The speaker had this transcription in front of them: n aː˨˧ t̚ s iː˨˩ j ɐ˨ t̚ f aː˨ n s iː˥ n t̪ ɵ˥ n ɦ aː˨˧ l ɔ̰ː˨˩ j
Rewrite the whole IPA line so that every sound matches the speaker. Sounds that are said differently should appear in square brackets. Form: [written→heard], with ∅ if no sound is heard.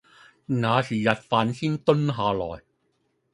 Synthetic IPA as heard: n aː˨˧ [t̚→∅] s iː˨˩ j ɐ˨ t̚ f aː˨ n s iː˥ n t̪ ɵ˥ n ɦ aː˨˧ l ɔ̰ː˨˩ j